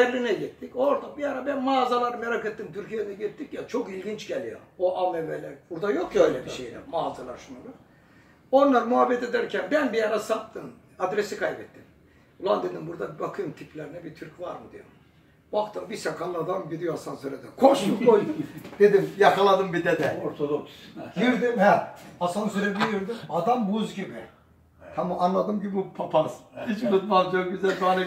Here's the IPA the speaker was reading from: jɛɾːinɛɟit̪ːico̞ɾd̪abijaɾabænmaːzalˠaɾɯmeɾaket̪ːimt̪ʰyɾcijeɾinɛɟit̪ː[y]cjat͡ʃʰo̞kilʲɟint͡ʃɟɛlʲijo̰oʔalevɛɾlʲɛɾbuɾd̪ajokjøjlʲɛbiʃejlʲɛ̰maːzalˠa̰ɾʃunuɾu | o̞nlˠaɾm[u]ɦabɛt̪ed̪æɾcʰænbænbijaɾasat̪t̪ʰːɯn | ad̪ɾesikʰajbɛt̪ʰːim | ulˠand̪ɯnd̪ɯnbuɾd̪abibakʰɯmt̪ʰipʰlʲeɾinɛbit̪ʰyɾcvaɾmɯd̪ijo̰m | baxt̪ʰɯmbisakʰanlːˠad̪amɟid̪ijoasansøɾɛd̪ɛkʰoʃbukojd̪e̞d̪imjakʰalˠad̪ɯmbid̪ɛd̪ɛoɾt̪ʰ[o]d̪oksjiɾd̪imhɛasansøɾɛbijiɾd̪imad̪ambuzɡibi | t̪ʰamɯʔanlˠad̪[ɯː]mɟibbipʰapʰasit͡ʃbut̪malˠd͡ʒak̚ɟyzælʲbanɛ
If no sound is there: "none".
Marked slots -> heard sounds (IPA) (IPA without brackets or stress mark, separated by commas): i, u, o, ɯ